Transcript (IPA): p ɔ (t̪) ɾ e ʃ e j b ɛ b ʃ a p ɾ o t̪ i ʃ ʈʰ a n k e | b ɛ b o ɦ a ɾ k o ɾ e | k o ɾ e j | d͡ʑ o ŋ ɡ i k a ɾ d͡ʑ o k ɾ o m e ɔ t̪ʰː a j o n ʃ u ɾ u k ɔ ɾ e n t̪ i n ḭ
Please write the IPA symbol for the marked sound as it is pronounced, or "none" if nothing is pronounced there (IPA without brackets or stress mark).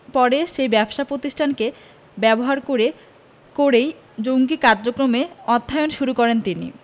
none